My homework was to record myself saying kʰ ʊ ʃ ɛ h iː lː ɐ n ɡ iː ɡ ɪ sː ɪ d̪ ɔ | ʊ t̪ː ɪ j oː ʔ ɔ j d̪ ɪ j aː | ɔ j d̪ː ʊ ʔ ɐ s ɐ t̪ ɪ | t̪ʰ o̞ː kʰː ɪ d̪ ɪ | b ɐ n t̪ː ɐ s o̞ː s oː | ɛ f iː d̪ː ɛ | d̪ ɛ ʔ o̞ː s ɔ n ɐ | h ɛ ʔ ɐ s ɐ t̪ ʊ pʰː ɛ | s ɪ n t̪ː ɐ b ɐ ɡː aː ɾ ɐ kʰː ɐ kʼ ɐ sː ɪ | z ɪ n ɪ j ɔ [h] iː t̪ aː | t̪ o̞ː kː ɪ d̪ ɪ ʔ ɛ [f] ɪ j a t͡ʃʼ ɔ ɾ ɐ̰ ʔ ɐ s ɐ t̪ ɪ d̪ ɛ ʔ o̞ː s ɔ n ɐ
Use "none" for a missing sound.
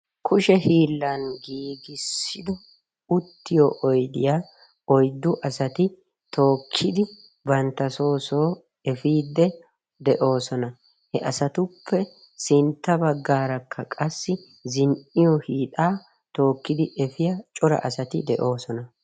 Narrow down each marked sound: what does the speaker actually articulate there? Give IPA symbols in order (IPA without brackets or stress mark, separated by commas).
h, f